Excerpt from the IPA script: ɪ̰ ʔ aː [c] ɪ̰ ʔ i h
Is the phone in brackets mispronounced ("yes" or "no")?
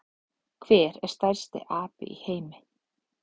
yes